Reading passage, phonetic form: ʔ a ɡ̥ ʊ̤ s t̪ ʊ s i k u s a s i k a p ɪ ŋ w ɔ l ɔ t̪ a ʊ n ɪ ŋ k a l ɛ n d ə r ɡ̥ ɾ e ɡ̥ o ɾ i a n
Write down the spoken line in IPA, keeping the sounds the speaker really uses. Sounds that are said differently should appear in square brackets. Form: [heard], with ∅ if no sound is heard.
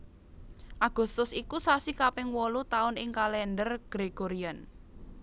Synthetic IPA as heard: ʔ a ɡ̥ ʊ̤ s t̪ ʊ s i k u s a s i k a p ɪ ŋ w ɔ l [u] t̪ a ʊ n ɪ ŋ k a l ɛ n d ə r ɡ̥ ɾ e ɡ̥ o ɾ i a n